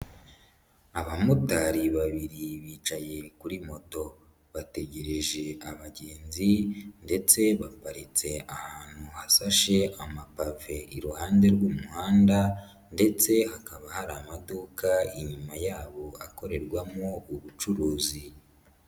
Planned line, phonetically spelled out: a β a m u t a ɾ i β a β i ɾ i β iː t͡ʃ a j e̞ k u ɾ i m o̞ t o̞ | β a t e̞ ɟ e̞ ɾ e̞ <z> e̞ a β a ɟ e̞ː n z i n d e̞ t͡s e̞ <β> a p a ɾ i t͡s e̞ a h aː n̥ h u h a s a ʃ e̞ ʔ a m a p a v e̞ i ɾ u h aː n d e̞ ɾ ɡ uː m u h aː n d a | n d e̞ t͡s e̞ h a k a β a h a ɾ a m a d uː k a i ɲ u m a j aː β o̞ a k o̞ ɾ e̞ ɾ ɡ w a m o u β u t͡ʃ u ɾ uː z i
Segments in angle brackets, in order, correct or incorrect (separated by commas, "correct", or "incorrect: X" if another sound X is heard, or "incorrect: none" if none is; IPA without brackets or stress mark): incorrect: ʒ, correct